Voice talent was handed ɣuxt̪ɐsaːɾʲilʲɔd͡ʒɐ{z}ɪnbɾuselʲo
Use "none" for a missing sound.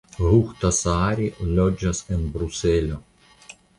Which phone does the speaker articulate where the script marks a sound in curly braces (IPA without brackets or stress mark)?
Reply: s